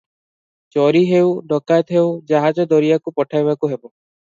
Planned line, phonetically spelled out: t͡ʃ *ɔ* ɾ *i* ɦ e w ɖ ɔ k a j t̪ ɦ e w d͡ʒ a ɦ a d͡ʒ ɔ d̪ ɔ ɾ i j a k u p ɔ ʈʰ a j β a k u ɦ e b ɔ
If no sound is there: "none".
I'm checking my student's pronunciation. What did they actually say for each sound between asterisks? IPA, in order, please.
ɔ, i

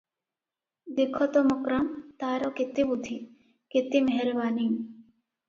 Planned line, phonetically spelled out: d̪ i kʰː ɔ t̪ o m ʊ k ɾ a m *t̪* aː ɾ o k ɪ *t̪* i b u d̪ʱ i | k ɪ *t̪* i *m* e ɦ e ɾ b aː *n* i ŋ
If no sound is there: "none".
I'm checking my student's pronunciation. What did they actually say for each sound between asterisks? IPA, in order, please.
t̪, t̪, t̪, m, n

